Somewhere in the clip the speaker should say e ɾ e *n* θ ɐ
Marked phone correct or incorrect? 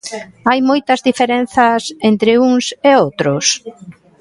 correct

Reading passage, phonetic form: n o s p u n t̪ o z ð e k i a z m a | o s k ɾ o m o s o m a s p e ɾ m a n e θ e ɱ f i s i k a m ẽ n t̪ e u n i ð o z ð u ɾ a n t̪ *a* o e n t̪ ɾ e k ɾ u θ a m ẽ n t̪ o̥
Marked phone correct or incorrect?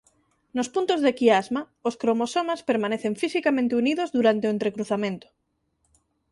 incorrect: e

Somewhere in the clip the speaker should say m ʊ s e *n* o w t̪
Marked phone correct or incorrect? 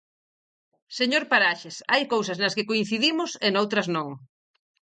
correct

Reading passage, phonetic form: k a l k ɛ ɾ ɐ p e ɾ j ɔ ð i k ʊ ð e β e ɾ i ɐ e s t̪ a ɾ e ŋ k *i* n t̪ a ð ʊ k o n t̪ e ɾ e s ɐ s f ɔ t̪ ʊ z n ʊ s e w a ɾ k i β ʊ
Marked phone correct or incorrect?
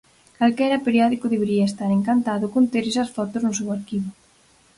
incorrect: a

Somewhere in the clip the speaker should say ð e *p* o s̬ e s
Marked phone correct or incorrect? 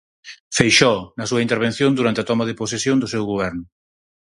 correct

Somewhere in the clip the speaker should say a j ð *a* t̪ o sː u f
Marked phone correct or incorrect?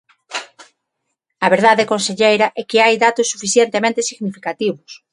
correct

